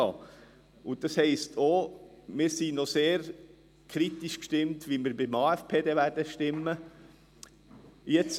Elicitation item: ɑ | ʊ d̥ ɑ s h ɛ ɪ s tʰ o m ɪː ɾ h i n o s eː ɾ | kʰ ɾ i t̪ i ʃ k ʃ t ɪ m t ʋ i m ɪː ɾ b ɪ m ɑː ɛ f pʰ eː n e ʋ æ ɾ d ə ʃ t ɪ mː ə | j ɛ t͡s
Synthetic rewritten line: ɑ | ʊ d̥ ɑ s h ɛ ɪ s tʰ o m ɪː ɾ s i n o s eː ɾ | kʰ ɾ i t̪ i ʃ k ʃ t ɪ m t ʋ i m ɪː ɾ b ɪ m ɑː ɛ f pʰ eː d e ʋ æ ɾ d ə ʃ t ɪ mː ə | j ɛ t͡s